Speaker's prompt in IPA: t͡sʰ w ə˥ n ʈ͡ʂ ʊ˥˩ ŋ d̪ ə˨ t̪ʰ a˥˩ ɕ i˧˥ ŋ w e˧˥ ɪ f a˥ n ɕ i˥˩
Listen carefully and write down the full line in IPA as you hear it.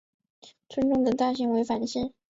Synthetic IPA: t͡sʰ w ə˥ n ʈ͡ʂ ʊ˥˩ ŋ d̪ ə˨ t̪ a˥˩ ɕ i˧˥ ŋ w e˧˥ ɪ f a˨˩ n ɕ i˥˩